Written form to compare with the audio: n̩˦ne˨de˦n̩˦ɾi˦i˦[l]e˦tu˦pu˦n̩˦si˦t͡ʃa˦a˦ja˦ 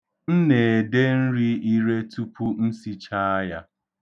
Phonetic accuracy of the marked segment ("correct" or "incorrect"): incorrect